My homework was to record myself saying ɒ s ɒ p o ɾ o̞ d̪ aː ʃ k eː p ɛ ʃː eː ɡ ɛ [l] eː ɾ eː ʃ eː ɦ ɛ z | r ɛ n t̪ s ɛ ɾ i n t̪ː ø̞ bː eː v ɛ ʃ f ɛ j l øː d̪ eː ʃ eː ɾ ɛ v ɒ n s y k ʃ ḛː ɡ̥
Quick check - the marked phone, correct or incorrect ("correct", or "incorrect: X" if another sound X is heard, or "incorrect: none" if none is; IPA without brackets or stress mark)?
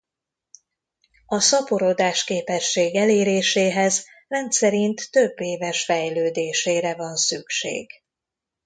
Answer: correct